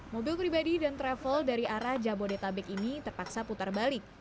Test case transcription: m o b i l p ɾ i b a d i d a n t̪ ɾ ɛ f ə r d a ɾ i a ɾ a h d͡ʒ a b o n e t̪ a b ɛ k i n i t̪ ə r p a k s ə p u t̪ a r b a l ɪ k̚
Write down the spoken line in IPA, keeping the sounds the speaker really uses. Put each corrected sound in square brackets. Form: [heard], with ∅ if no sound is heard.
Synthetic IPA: m o b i l p ɾ i b a d i d a n t̪ ɾ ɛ f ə [l] d a ɾ i a ɾ a h d͡ʒ a b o [d] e t̪ a b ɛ k i n i t̪ ə r p a k s [a] p u t̪ a r b a l ɪ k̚